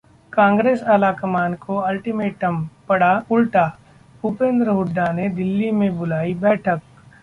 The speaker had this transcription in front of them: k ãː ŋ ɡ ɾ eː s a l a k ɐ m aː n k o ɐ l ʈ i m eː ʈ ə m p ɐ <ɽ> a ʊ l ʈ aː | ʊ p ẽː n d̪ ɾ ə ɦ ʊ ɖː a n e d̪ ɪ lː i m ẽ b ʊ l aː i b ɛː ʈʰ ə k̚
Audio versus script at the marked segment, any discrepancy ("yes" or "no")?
no